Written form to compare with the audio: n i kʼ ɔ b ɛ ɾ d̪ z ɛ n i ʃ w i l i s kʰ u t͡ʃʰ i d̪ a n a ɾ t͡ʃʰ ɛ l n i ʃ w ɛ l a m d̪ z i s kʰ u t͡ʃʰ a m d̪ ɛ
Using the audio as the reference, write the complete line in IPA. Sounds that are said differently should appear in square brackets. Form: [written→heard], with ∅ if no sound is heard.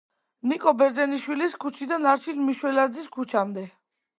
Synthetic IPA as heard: n i kʼ ɔ b ɛ ɾ d̪ z ɛ n i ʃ w i l i s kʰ u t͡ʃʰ i d̪ a n a ɾ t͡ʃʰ [ɛ→i] l [n→m] i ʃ w ɛ l a [m→∅] d̪ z i s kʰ u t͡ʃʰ a m d̪ ɛ